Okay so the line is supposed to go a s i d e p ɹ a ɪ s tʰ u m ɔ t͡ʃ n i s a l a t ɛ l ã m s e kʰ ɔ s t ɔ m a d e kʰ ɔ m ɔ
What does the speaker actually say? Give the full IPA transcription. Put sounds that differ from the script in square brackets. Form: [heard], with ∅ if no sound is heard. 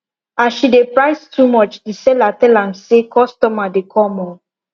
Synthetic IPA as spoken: a [ʃ] i d e p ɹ a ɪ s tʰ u m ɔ t͡ʃ [d] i s [ɛ] l a t ɛ l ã m s e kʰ ɔ s t ɔ m a d e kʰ ɔ m ɔ